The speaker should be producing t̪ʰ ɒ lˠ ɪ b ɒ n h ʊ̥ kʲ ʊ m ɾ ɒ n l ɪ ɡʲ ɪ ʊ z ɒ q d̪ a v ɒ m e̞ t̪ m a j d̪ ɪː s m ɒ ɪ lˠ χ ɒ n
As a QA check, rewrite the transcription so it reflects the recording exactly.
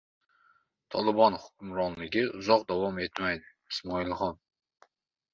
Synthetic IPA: t̪ʰ ɒ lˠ ɪ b ɒ n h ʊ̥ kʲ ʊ m ɾ ɒ n l ɪ ɡʲ ɪ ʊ z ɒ q d̪ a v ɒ m e̞ t̪ m a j d̪ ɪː s m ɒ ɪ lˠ χ ɒ n